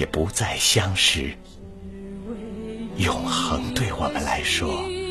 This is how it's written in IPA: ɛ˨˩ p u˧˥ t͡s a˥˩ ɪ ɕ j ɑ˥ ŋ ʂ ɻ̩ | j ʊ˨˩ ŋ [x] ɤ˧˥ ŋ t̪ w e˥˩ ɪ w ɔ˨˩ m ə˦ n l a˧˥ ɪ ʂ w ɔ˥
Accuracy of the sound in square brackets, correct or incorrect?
correct